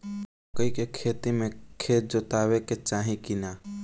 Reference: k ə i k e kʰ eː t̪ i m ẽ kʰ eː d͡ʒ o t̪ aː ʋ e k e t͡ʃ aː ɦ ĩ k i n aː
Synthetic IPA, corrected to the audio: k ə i k e kʰ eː t̪ i m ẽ kʰ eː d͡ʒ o t̪ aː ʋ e k e t͡ʃ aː ɦ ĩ k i n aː

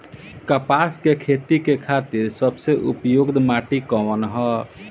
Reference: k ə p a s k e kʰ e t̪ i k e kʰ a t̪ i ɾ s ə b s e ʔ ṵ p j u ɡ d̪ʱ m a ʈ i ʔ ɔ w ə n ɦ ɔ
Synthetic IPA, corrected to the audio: k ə p a s k e kʰ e t̪ i k e kʰ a t̪ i ɾ s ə b s e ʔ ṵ p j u ɡ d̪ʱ m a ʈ i k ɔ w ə n ɦ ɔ

